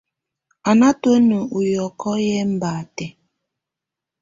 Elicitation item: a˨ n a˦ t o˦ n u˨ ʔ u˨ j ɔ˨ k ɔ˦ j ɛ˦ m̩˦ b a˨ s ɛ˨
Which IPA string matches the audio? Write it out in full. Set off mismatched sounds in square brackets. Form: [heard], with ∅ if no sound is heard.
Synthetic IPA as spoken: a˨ n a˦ t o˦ n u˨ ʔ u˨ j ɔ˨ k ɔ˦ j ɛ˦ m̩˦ b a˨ [t] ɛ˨